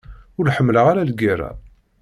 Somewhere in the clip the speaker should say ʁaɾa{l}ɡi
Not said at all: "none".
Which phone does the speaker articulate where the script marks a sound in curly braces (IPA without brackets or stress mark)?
l